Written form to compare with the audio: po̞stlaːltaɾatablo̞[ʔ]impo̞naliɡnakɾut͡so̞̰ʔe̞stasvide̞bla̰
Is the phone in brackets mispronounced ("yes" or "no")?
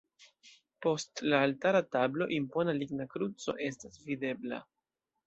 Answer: no